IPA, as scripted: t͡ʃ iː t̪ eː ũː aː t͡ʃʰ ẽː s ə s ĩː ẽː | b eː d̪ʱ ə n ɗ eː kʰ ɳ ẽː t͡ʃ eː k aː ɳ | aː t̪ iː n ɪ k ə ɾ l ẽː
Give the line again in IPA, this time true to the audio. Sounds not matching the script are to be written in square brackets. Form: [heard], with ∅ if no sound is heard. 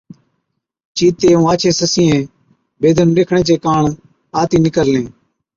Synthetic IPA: t͡ʃ iː t̪ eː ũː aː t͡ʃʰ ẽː s ə s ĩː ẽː | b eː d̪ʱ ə n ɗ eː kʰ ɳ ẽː t͡ʃ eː k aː ɳ | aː t̪ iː n ɪ k ə ɾ l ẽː